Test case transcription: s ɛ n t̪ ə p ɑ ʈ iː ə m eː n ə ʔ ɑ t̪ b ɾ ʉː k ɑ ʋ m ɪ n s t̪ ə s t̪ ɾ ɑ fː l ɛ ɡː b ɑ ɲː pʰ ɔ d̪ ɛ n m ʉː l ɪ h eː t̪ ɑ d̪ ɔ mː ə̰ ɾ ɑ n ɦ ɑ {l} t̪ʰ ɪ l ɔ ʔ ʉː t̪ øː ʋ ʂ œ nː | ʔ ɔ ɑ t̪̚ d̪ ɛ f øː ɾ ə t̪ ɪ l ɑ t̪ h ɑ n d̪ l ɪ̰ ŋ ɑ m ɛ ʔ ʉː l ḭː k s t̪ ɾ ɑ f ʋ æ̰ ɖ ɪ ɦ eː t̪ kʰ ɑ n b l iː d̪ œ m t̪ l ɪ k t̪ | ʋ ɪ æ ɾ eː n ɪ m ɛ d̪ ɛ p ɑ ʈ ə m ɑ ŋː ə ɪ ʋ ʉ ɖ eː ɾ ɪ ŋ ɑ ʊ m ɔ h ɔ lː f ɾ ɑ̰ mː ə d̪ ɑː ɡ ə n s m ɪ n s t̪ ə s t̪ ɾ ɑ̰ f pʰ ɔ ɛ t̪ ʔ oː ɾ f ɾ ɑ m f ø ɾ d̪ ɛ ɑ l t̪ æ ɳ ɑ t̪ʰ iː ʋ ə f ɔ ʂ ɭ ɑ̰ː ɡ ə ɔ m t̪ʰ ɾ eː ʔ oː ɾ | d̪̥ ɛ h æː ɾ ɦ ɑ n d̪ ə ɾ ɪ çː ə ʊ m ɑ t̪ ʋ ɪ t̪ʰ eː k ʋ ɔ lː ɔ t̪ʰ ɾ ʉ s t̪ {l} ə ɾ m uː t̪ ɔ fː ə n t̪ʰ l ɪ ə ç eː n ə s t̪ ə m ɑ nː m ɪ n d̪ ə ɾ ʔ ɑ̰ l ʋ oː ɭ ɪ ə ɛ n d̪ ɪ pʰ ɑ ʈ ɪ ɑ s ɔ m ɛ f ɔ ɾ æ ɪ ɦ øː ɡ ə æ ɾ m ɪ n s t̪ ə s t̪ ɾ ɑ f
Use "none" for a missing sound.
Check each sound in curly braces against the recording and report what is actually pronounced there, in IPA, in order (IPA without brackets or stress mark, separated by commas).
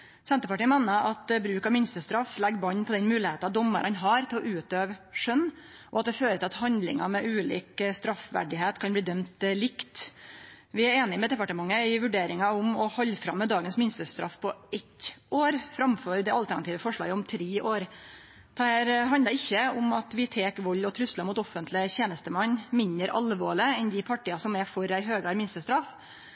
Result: ɾ, l